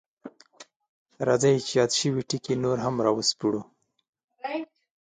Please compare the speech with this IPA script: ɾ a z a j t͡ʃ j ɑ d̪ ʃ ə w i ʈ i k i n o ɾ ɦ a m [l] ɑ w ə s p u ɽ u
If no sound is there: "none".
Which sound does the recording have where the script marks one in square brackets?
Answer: ɾ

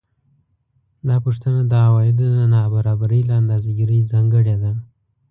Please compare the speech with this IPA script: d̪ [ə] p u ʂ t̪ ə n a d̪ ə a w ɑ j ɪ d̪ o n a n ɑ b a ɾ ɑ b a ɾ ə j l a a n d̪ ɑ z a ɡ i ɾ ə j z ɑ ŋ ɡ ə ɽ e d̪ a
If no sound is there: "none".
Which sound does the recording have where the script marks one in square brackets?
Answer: ɑ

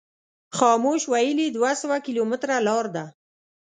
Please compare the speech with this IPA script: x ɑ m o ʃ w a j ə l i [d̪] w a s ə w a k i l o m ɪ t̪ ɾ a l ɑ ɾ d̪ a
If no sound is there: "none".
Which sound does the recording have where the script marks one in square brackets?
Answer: d̪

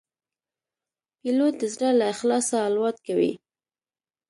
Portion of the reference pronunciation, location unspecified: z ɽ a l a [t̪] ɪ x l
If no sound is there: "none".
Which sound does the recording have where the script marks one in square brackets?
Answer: none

